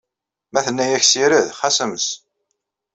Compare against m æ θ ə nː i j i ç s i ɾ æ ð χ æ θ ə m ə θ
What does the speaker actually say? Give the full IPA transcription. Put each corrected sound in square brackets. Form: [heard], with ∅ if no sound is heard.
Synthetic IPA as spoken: m æ θ ə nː [æ] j [æ] ç s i ɾ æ ð χ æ [s] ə m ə [s]